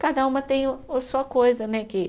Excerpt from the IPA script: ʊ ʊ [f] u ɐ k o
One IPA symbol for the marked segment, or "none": s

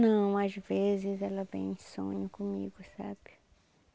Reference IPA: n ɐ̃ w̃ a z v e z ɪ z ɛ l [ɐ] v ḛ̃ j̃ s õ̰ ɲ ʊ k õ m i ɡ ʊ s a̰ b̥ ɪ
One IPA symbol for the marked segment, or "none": ɐ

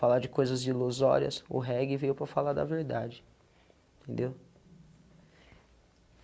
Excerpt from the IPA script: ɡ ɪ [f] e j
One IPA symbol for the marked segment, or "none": v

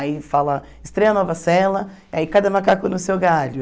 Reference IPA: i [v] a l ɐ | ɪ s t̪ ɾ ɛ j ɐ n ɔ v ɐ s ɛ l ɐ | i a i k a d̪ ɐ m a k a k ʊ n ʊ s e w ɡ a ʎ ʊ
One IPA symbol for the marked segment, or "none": f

